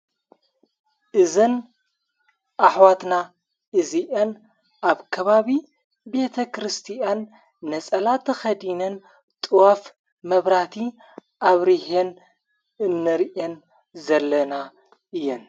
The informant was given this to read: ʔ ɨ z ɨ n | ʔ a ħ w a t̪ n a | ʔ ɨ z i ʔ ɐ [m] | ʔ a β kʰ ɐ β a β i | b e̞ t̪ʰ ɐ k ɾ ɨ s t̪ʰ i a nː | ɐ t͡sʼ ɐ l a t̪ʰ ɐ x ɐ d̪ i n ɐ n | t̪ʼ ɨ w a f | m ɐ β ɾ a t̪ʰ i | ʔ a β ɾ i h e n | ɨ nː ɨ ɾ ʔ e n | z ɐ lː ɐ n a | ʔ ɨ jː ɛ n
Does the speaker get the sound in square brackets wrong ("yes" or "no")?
yes